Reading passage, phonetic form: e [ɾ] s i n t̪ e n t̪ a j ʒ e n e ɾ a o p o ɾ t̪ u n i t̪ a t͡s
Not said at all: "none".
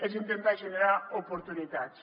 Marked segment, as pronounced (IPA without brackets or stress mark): none